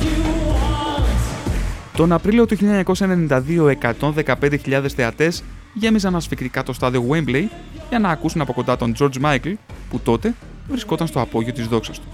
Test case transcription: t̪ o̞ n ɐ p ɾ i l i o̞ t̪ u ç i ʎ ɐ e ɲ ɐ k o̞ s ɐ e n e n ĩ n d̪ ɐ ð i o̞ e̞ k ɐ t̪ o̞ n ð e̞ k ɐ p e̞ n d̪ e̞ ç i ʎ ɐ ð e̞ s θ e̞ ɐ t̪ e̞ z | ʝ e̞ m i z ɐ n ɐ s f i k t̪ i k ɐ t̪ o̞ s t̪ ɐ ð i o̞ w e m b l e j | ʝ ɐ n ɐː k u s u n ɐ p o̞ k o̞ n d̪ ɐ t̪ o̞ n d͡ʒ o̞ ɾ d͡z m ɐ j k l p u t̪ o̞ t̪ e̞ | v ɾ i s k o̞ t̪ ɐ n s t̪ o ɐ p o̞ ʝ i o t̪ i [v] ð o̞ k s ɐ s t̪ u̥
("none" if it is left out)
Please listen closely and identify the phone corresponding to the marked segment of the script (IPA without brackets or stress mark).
z